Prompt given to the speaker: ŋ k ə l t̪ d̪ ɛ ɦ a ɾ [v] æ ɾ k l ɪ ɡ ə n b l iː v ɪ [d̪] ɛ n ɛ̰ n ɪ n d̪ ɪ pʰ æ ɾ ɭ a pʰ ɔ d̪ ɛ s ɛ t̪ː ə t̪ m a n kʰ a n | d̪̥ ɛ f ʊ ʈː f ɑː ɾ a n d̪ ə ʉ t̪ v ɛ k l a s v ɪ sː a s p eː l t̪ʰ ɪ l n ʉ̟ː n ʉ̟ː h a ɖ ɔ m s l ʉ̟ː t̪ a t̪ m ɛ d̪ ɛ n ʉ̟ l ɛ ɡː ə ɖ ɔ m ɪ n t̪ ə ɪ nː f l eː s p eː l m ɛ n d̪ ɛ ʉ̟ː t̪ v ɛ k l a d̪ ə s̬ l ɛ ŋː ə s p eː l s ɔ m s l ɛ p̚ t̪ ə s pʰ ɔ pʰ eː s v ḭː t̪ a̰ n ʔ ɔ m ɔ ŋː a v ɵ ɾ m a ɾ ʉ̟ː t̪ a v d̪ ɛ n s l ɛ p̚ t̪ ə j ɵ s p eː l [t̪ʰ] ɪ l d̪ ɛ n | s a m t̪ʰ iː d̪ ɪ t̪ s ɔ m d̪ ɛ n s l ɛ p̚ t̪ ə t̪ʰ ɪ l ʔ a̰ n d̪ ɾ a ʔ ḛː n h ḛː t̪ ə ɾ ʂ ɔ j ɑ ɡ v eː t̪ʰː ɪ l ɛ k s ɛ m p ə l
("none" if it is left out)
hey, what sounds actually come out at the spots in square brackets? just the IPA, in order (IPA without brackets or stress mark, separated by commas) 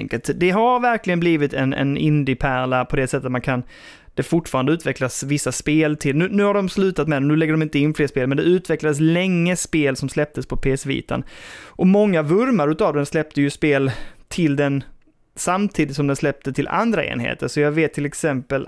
v, t̪, t̪ʰ